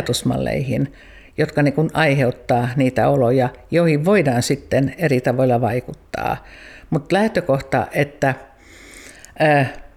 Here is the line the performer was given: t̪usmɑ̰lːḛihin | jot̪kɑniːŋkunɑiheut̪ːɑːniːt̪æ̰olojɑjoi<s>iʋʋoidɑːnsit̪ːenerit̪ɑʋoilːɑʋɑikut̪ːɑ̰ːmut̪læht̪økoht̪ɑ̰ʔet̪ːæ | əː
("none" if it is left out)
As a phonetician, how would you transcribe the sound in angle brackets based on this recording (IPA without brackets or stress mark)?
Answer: h